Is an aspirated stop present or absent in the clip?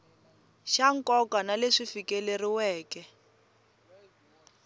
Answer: absent